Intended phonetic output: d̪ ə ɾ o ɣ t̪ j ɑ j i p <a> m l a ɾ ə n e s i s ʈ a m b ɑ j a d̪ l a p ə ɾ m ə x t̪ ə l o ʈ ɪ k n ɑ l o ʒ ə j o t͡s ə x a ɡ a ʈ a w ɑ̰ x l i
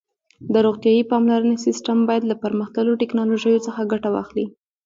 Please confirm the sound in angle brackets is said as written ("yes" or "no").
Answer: no